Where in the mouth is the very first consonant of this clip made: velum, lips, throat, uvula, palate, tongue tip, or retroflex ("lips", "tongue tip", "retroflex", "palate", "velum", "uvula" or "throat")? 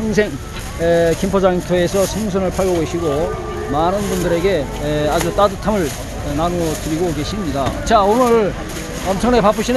velum